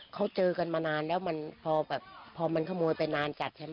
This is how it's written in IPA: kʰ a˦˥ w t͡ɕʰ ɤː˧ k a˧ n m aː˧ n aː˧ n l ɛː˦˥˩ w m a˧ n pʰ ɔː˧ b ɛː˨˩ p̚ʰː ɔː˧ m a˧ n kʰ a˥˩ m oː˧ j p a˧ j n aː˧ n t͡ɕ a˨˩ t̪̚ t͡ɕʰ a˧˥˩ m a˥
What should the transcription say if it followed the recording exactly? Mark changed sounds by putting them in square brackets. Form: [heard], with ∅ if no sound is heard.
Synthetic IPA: kʰ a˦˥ w [t͡ɕ] ɤː˧ k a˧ n m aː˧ n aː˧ n l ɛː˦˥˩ w m a˧ n pʰ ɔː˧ b ɛː˨˩ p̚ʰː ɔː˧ m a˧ n kʰ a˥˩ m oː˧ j p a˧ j n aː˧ n t͡ɕ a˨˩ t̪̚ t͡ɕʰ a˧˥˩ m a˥